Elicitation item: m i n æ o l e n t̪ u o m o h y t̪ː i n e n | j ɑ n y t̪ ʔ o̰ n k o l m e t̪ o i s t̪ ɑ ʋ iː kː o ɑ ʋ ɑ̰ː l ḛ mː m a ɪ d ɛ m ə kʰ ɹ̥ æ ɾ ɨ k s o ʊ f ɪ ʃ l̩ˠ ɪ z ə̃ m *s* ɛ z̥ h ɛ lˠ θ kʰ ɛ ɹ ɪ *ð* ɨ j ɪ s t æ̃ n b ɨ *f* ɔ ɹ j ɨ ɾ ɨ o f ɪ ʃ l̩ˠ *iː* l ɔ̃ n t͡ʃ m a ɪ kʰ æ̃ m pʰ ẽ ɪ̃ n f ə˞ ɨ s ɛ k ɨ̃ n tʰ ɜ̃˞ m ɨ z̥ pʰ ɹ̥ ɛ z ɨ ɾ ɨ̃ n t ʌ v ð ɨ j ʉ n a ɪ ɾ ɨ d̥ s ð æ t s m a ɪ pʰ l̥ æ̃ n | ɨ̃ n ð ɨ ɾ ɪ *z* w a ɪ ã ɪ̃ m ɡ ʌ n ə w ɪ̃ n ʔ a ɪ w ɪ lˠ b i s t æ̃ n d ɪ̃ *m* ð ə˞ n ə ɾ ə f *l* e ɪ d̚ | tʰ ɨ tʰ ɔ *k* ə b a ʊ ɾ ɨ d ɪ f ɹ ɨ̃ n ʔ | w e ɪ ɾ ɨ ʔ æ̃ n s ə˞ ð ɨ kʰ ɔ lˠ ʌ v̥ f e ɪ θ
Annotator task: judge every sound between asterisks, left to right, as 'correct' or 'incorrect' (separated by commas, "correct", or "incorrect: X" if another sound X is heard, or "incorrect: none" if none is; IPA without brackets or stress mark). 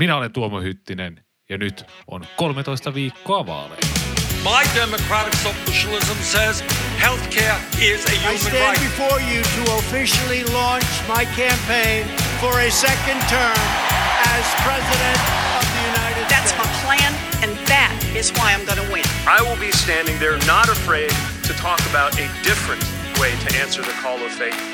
correct, incorrect: z, correct, incorrect: i, correct, incorrect: ŋ, incorrect: ɹ, correct